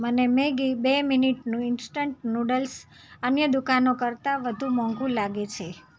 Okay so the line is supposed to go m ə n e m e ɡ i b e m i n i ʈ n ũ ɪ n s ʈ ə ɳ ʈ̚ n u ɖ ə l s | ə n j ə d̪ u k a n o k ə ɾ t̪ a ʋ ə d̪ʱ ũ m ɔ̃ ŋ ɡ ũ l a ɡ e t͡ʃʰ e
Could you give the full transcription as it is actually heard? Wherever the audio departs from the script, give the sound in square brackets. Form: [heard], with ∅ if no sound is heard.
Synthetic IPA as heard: m ə n e m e ɡ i b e m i n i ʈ n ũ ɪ n s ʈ ə ɳ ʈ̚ n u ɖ ə l s | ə n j ə d̪ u k a n o k ə ɾ t̪ a ʋ ə d̪ʱ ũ m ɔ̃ ŋ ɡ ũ l a ɡ e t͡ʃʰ e